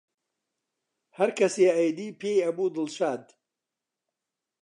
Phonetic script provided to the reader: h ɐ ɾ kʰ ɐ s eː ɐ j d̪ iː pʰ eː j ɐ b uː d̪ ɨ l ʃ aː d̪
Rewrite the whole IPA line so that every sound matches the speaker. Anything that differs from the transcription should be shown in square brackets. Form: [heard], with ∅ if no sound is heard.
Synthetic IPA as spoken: h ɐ ɾ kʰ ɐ s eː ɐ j d̪ iː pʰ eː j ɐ b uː d̪ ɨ l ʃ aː d̪